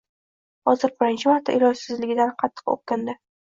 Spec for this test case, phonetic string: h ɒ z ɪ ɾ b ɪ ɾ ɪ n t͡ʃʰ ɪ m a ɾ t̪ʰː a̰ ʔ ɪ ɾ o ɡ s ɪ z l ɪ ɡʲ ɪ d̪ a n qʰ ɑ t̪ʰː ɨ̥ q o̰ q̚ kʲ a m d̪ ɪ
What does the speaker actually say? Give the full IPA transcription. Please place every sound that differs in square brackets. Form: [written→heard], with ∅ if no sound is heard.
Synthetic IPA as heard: h ɒ z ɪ ɾ b ɪ ɾ ɪ n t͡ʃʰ ɪ m a ɾ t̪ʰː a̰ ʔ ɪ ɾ [o→ɒ] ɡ s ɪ z l ɪ ɡʲ ɪ d̪ a n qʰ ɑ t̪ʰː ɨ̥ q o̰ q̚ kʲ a [m→n] d̪ ɪ